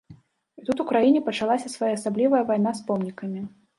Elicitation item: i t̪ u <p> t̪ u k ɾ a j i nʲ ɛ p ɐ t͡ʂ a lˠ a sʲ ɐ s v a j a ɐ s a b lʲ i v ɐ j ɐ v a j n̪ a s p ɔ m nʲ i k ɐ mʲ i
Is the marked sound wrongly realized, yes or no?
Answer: yes